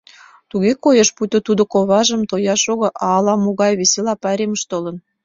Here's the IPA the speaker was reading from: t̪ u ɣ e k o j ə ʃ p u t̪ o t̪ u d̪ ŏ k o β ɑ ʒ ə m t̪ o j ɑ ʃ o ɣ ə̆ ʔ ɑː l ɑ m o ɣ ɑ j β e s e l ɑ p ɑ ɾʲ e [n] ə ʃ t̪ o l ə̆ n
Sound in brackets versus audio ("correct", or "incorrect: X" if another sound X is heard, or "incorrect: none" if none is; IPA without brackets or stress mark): incorrect: m